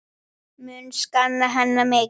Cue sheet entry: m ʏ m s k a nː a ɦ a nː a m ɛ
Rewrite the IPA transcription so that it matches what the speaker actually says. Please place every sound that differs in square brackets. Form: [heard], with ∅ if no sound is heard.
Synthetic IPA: m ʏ [n] s k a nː a ɦ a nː a m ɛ